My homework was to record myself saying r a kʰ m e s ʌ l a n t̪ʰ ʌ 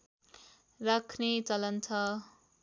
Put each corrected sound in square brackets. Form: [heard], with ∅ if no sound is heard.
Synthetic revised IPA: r a kʰ [n] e [t͡s] ʌ l [ʌ] n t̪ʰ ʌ

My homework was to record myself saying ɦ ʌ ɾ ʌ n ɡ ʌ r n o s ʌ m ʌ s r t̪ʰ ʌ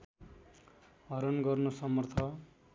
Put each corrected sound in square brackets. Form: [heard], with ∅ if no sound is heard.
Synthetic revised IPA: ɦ ʌ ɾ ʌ n ɡ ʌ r n o s ʌ m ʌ [∅] r t̪ʰ ʌ

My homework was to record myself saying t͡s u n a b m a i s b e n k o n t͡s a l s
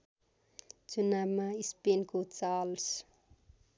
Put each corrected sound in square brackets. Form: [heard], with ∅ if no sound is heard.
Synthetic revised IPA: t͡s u n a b m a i s [p] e n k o [∅] t͡s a l s

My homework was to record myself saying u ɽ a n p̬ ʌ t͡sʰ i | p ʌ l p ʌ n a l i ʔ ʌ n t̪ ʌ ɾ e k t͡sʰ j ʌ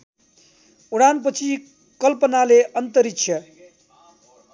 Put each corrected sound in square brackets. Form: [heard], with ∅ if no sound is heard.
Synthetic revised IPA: u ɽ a n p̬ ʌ t͡sʰ i | [k] ʌ l p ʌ n a l [e] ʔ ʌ n t̪ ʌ ɾ [i] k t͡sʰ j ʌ

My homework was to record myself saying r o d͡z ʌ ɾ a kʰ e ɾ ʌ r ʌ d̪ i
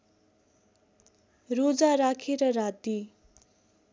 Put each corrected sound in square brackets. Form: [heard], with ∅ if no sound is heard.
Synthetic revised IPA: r o d͡z [a] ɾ a kʰ e ɾ ʌ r [a] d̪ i

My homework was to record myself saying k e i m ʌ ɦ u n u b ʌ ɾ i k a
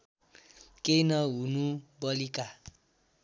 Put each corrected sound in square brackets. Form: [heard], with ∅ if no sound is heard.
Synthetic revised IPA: k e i [n] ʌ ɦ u n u b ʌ [l] i k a

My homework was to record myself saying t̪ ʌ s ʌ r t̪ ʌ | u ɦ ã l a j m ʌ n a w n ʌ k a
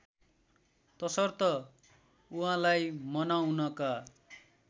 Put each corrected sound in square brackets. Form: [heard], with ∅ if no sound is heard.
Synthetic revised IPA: t̪ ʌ s ʌ r t̪ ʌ | u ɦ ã l a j m ʌ n a w n ʌ k a

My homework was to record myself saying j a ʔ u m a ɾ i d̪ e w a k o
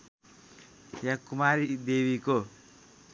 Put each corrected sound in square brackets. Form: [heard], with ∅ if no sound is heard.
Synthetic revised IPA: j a [k] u m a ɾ i d̪ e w [i] k o

